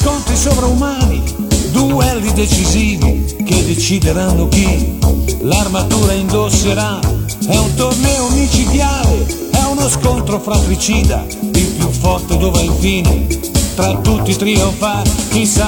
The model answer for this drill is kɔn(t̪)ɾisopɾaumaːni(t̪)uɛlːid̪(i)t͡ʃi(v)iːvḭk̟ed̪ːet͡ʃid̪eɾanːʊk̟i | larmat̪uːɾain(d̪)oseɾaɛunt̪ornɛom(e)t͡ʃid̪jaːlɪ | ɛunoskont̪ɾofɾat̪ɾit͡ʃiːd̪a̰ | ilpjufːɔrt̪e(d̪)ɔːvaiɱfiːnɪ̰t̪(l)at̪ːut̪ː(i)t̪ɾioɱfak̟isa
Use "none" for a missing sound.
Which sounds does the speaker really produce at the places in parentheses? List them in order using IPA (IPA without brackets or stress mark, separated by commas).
t̪, d̪, e, z, d̪, i, d̪, ɾ, i